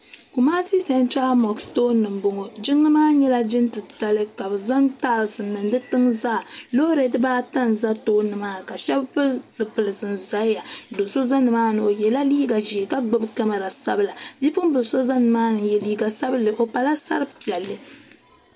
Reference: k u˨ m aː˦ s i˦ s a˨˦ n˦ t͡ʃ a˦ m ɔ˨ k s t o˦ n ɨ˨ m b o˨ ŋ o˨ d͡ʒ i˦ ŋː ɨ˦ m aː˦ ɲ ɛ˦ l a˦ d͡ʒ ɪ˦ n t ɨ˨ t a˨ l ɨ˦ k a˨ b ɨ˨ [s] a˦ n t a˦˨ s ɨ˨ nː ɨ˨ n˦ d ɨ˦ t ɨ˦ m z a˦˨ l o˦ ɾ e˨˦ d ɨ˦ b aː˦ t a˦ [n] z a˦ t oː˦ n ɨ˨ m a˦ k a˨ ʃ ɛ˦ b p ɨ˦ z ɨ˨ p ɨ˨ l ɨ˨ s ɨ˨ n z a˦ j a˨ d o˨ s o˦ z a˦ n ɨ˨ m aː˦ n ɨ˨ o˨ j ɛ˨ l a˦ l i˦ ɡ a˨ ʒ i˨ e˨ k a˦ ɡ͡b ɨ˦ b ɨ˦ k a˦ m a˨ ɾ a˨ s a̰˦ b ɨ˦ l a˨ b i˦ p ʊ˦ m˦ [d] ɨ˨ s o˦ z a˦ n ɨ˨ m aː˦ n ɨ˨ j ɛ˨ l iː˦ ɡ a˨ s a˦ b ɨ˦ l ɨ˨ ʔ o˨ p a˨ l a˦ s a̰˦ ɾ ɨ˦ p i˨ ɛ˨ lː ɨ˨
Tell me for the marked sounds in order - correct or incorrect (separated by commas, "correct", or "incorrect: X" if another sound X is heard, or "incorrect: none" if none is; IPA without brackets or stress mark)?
incorrect: z, correct, incorrect: b